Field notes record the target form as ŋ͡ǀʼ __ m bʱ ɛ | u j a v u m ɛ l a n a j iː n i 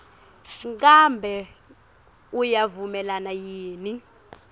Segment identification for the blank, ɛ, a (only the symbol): a